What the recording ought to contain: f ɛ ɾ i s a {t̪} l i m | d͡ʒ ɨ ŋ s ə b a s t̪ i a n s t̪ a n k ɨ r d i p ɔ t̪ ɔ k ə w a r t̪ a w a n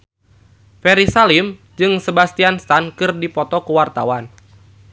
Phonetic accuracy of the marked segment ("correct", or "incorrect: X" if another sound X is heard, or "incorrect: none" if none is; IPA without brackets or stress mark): incorrect: none